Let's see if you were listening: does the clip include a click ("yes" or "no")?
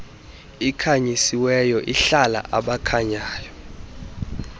no